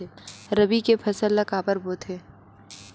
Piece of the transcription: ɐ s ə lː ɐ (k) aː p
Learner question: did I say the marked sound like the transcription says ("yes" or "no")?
yes